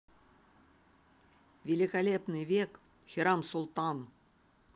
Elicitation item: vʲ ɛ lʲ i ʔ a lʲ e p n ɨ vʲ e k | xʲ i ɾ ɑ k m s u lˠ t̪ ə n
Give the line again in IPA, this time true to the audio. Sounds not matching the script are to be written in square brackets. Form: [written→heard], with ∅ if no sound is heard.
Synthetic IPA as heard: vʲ [ɛ→e] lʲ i [ʔ→k] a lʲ e p n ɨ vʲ e k | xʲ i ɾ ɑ [k→∅] m s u lˠ t̪ [ə→ɑ] n